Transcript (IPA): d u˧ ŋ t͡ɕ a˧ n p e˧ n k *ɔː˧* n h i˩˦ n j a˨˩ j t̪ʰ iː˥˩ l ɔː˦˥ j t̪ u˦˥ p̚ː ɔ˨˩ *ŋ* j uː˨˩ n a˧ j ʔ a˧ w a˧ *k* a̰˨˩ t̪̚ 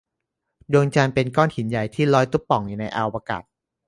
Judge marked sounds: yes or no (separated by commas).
no, yes, yes